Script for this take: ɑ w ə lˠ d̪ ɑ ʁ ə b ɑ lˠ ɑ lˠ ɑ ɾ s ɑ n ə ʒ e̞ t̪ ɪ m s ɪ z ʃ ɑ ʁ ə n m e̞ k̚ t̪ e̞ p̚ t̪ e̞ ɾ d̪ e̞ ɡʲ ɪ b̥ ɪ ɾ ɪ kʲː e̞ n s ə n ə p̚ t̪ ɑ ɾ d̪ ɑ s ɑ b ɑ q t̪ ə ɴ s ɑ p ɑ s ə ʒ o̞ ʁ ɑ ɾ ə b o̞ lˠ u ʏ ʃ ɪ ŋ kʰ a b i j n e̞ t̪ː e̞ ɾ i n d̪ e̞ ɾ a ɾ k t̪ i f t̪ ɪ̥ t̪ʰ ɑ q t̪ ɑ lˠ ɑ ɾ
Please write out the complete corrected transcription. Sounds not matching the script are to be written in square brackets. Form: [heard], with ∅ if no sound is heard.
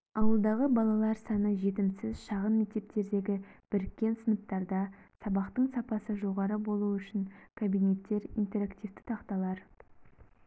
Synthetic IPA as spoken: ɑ w ə lˠ d̪ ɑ ʁ ə b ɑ lˠ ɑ lˠ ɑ ɾ s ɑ n ə ʒ e̞ t̪ ɪ m s ɪ z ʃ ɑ ʁ ə n m e̞ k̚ t̪ e̞ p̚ t̪ e̞ ɾ d̪ e̞ ɡʲ ɪ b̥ ɪ ɾ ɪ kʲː e̞ n s ə n ə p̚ t̪ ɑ ɾ d̪ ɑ s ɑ b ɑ q t̪ ə ɴ s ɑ p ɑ s ə ʒ o̞ ʁ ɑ ɾ ə b o̞ lˠ u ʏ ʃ ɪ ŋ kʰ a b i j n e̞ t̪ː e̞ ɾ i n [t̪] e̞ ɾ a [∅] k t̪ i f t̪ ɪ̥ t̪ʰ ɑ q t̪ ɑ lˠ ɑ ɾ

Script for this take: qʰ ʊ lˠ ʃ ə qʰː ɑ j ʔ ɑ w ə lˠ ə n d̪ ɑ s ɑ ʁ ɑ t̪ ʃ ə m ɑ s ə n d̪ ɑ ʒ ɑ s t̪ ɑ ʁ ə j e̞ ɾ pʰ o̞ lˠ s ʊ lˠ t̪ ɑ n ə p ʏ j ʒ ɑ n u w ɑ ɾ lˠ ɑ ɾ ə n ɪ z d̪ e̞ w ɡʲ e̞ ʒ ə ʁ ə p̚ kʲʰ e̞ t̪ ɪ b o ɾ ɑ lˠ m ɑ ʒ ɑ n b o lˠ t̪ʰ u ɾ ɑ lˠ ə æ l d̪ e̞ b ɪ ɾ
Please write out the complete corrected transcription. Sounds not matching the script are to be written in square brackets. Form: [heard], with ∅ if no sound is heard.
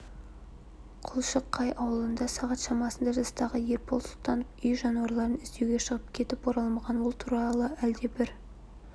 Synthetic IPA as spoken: qʰ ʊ lˠ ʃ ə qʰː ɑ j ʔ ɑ w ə lˠ ə n d̪ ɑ s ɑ ʁ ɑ t̪ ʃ [ɑ] m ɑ s ə n d̪ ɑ ʒ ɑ s t̪ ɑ ʁ ə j e̞ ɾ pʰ o̞ lˠ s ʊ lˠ t̪ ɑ n ə p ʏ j ʒ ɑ n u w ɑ ɾ lˠ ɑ ɾ ə n ɪ z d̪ e̞ w ɡʲ e̞ [ʃ] ə ʁ ə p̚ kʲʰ e̞ t̪ ɪ [p] o ɾ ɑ lˠ m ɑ [ʁ] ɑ n [w] o lˠ t̪ʰ u ɾ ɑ lˠ ə æ l d̪ e̞ b ɪ ɾ

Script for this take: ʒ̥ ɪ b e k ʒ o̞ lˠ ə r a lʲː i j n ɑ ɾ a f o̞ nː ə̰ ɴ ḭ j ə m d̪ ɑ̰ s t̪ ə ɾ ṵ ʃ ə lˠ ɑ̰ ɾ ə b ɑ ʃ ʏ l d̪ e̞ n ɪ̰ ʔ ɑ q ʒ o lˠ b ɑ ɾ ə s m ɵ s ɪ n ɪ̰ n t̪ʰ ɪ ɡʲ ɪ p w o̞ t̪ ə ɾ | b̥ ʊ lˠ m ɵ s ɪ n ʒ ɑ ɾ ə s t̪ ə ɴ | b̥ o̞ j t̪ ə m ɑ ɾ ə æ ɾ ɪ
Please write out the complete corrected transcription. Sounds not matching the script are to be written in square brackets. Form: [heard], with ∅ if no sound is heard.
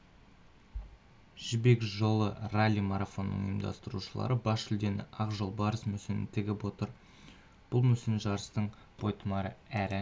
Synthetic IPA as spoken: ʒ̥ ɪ b e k ʒ o̞ lˠ ə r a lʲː i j [m] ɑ ɾ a f o̞ nː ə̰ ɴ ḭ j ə m d̪ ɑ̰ s t̪ ə ɾ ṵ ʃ ə lˠ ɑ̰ ɾ ə b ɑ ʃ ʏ l d̪ e̞ n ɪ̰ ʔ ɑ q ʒ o lˠ b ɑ ɾ ə s m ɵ s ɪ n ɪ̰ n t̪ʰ ɪ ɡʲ ɪ p w o̞ t̪ ə ɾ | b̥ ʊ lˠ m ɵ s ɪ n ʒ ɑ ɾ ə s t̪ ə ɴ | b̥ o̞ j t̪ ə m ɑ ɾ ə æ ɾ ɪ

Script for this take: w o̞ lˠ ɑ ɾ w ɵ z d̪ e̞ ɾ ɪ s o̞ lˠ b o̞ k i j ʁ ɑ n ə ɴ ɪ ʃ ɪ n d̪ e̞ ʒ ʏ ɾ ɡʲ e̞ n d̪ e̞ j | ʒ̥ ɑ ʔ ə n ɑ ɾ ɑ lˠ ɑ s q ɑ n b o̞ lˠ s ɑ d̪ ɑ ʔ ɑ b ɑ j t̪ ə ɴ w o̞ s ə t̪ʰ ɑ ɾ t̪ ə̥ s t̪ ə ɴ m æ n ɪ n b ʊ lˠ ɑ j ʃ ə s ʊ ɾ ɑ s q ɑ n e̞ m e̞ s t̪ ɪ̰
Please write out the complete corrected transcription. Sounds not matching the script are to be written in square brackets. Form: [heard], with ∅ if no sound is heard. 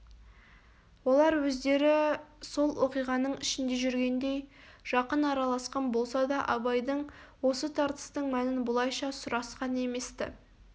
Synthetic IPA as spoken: w o̞ lˠ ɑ ɾ w ɵ z d̪ e̞ ɾ ɪ s o̞ lˠ [w] o̞ [q] i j ʁ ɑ n ə ɴ ɪ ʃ ɪ n d̪ e̞ ʒ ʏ ɾ ɡʲ e̞ n d̪ e̞ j | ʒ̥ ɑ [q] ə n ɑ ɾ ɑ lˠ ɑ s q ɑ n b o̞ lˠ s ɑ d̪ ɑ ʔ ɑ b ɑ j [d̪] ə ɴ w o̞ s ə t̪ʰ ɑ ɾ t̪ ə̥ s t̪ ə ɴ m æ n ɪ n b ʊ lˠ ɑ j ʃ [ɑ] s ʊ ɾ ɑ s q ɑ n e̞ m e̞ s t̪ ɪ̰

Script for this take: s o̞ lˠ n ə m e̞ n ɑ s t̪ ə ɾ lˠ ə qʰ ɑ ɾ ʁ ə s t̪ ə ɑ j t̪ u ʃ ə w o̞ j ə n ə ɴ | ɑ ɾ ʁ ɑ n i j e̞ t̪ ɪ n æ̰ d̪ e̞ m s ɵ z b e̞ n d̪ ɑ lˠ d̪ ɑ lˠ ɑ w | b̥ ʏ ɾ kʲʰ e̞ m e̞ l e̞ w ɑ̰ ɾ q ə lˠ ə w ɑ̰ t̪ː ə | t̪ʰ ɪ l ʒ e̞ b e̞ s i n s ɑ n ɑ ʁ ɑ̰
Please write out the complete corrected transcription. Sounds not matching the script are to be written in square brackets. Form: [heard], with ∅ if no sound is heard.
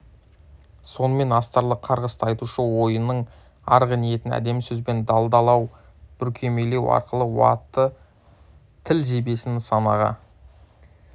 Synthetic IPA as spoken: s o̞ [∅] n ə m e̞ n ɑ s t̪ [ɑ] ɾ lˠ ə qʰ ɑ ɾ ʁ ə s t̪ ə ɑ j t̪ u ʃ ə w o̞ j ə n ə ɴ | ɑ ɾ ʁ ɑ n i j e̞ t̪ ɪ n æ̰ d̪ e̞ m s ɵ z b e̞ n d̪ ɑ lˠ d̪ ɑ lˠ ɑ w | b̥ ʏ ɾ kʲʰ e̞ m e̞ l e̞ w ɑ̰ ɾ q ə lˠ ə w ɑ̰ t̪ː ə | t̪ʰ ɪ l ʒ e̞ b e̞ s [ɪ] n s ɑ n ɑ ʁ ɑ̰

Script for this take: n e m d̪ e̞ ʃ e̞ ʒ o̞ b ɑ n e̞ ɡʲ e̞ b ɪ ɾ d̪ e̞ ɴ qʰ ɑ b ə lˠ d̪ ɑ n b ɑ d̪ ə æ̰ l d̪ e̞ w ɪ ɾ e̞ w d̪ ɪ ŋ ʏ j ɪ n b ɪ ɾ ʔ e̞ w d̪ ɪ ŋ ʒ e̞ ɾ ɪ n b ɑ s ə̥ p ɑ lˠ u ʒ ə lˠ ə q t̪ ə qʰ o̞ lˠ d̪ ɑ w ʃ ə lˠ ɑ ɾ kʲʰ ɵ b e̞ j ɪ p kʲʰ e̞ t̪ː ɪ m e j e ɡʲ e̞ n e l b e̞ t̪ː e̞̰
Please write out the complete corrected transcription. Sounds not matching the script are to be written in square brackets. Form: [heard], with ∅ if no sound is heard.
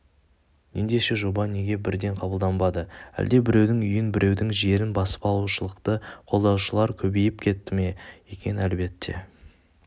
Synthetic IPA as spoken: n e [n] d̪ e̞ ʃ e̞ ʒ o̞ b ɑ n e̞ ɡʲ e̞ b ɪ ɾ d̪ e̞ ɴ qʰ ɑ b ə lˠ d̪ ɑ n b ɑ d̪ ə æ̰ l d̪ e̞ [b] ɪ ɾ e̞ w d̪ ɪ ŋ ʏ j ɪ n b ɪ ɾ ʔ e̞ w d̪ ɪ ŋ ʒ e̞ ɾ ɪ n b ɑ s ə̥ p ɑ lˠ u [ʃ] ə lˠ ə q t̪ ə qʰ o̞ lˠ d̪ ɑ w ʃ ə lˠ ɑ ɾ kʲʰ ɵ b e̞ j ɪ p kʲʰ e̞ t̪ː ɪ m e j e [kʲ] e̞ n [æ] l b e̞ t̪ː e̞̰

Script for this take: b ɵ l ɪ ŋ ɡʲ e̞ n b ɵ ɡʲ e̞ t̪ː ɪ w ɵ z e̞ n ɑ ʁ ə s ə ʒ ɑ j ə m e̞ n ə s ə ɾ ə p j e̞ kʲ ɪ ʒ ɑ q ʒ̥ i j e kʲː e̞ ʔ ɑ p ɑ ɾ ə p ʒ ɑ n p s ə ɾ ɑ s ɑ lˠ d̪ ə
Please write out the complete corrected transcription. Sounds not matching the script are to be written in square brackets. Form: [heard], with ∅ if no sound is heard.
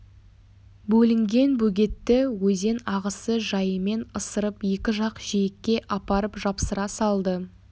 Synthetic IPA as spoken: b ɵ l ɪ ŋ ɡʲ e̞ n b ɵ ɡʲ e̞ t̪ː ɪ w ɵ z e̞ n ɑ ʁ ə s ə ʒ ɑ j ə m e̞ n ə s ə ɾ ə p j e̞ kʲ ɪ ʒ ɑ q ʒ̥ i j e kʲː e̞ ʔ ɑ p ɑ ɾ ə p ʒ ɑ [∅] p s ə ɾ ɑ s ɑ lˠ d̪ ə

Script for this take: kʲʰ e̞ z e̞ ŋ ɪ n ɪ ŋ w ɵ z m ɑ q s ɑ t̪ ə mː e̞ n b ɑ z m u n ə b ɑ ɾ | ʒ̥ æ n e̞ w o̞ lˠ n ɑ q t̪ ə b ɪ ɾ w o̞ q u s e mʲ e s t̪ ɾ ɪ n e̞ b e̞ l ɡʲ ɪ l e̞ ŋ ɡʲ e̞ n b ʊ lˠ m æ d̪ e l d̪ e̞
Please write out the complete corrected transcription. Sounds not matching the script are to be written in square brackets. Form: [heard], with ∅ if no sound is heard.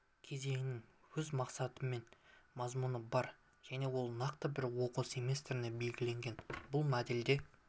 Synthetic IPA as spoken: kʲʰ e̞ z e̞ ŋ ɪ n ɪ ŋ w ɵ z m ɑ q s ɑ t̪ ə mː e̞ n [m] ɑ z m u n ə b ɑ ɾ | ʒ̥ æ n e̞ w o̞ lˠ n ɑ q t̪ ə b ɪ ɾ w o̞ q u s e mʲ e s t̪ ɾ ɪ n e̞ b e̞ l ɡʲ ɪ l e̞ ŋ ɡʲ e̞ n b ʊ lˠ m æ d̪ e l d̪ e̞

